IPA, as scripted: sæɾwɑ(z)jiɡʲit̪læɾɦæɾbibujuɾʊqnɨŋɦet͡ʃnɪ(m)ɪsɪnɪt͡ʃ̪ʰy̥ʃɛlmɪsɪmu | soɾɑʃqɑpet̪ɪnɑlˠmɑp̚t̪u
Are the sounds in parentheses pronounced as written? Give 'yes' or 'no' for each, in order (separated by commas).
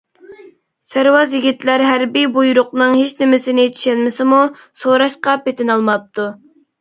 yes, yes